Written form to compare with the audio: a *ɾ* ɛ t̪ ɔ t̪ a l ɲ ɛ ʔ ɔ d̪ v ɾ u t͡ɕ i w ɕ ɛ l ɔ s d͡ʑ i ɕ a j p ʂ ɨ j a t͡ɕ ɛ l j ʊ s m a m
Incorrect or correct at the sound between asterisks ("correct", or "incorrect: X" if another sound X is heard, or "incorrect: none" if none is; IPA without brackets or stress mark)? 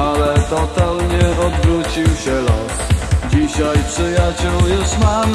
incorrect: l